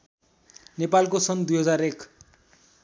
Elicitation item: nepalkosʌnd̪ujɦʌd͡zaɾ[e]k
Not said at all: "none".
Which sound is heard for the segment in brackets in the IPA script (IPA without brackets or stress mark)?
e